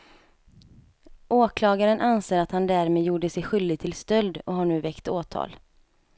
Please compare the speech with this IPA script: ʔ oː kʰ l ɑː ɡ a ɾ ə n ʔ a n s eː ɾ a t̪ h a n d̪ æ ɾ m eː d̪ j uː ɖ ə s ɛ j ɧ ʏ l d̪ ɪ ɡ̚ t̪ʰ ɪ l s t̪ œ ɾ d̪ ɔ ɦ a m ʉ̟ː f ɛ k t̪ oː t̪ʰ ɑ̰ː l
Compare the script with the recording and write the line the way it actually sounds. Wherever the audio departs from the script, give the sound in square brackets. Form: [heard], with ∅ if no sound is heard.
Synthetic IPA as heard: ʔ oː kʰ l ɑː ɡ a ɾ ə n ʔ a n s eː ɾ a t̪ h a n d̪ æ ɾ m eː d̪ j uː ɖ ə s ɛ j ɧ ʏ l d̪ ɪ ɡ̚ t̪ʰ ɪ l s t̪ œ [l] d̪ ɔ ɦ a [ɳ] ʉ̟ː [v] ɛ k t̪ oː t̪ʰ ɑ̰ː l